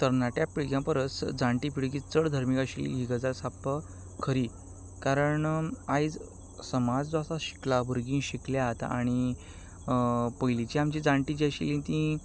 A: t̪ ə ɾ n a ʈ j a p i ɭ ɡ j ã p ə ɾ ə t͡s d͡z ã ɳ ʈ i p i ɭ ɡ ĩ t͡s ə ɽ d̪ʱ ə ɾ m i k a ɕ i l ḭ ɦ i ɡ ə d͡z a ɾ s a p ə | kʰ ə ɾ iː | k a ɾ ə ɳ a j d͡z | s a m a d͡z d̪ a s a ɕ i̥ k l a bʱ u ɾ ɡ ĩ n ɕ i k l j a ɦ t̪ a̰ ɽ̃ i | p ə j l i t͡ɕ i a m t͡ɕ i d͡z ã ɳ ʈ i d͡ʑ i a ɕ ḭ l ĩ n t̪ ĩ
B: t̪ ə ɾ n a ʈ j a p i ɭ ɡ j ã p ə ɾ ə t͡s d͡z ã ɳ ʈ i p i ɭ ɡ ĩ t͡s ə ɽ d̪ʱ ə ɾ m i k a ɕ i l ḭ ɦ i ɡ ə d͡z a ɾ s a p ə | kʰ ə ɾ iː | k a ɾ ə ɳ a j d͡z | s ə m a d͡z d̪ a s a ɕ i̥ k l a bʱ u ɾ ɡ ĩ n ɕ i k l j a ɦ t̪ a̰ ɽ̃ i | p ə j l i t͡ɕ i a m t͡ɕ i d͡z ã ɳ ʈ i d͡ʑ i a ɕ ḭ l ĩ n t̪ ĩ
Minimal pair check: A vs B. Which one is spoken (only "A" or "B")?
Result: B